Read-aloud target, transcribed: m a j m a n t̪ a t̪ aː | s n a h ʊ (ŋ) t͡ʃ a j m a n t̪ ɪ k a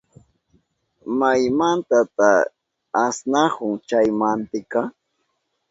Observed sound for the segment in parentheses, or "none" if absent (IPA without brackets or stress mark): ŋ